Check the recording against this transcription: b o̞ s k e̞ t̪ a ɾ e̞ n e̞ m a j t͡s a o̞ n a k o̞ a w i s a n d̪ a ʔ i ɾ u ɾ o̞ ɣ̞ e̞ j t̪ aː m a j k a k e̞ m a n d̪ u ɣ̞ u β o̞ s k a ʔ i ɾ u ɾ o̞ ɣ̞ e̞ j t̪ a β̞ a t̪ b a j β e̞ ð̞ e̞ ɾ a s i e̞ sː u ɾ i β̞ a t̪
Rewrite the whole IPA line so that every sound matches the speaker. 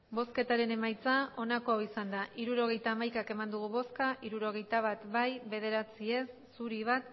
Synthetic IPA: b o̞ s k e̞ t̪ a ɾ e̞ n e̞ m a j t͡s a o̞ n a k o̞ a w i s a n d̪ a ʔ i ɾ u ɾ o̞ ɣ̞ e̞ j t̪ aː m a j k a k e̞ m a n d̪ u ɣ̞ u β o̞ s k a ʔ i ɾ u ɾ o̞ ɣ̞ e̞ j t̪ a β̞ a t̪ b a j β e̞ ð̞ e̞ ɾ a t͡s i e̞ sː u ɾ i β̞ a t̪